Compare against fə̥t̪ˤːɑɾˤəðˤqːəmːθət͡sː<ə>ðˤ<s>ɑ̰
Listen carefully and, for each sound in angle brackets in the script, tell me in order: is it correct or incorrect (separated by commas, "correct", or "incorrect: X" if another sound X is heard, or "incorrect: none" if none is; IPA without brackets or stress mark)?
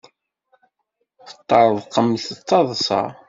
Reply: incorrect: ɑ, correct